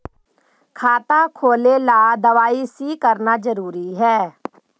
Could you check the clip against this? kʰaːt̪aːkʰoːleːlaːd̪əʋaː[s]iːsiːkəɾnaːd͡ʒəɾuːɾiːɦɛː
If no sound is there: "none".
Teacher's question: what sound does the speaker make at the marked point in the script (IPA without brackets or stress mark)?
none